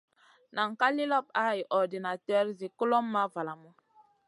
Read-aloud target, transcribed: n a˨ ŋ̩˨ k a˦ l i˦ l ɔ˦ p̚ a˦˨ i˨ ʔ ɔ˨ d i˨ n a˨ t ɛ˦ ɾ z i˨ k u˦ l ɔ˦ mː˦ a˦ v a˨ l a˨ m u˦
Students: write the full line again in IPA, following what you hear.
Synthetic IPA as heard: n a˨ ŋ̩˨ k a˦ l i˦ l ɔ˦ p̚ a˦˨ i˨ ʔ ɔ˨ d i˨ n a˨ t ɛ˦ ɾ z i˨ k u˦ l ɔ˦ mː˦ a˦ v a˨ l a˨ m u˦

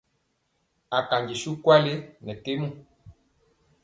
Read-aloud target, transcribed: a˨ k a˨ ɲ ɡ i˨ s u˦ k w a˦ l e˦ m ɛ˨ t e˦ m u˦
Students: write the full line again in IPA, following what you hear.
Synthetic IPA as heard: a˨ k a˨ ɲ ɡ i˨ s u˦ k w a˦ l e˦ n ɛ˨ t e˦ m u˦

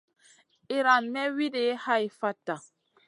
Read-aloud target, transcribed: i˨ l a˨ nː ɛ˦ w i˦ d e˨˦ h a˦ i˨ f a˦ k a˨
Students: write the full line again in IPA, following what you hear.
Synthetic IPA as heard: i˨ ɾ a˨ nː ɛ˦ w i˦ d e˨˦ h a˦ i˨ f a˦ t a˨

